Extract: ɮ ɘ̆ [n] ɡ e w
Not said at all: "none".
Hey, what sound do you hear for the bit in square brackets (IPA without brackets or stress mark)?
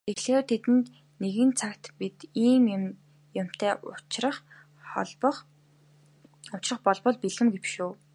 m